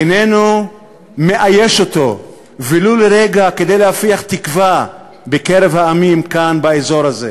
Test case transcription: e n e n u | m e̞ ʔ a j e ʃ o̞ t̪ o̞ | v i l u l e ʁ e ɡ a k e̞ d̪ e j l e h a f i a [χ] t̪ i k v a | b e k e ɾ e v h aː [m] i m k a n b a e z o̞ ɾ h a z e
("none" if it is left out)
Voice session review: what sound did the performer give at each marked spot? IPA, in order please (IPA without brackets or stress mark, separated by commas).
χ, m